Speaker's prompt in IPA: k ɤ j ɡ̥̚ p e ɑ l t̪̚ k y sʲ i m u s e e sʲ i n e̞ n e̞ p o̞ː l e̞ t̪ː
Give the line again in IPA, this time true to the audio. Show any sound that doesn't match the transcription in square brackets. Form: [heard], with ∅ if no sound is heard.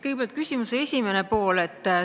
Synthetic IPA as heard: k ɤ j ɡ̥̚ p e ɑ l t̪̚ k y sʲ i m u s e e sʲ i [m] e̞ n e̞ p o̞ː l e̞ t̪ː